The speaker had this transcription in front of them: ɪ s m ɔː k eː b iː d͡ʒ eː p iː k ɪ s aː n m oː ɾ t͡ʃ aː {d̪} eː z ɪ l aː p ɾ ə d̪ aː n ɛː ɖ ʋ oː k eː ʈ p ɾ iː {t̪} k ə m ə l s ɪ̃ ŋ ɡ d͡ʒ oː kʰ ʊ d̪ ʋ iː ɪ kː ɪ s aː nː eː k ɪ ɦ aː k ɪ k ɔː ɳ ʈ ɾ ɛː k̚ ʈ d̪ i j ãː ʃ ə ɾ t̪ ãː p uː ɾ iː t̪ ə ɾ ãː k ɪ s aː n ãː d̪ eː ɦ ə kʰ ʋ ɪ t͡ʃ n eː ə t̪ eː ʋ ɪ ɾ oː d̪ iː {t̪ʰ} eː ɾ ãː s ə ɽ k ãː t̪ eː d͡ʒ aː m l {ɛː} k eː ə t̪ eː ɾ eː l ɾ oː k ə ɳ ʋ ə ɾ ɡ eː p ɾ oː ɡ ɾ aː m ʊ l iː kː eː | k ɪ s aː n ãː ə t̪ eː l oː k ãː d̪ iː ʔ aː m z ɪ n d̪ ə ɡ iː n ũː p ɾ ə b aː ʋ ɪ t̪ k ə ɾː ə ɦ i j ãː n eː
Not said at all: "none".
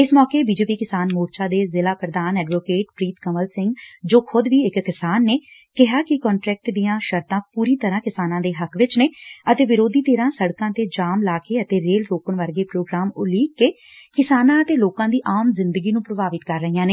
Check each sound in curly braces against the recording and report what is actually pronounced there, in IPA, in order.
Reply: d̪, t̪, t̪, aː

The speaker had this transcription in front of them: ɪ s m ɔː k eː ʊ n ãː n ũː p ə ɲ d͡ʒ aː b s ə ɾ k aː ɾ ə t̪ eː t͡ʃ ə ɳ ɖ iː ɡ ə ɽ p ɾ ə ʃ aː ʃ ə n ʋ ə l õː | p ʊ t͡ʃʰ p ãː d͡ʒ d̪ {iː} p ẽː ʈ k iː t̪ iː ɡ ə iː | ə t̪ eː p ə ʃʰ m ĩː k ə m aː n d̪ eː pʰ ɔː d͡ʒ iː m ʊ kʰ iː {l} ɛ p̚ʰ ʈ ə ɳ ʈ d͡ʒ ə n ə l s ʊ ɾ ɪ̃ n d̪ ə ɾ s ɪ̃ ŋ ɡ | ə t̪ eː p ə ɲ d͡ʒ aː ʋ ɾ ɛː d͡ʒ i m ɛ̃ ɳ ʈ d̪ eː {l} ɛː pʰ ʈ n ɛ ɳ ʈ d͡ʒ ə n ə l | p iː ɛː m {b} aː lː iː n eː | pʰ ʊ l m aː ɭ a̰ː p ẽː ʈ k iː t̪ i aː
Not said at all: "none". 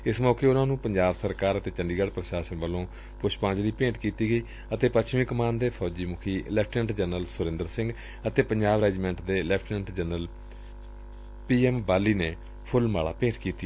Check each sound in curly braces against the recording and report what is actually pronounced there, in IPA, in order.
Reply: iː, l, l, b

